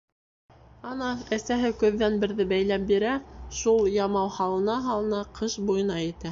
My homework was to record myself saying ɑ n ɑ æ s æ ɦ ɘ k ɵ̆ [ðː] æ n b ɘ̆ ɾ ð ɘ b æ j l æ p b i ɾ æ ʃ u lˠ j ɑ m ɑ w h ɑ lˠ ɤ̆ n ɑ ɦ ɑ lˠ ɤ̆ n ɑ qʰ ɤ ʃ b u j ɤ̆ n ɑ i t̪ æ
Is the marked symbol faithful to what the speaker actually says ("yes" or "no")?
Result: yes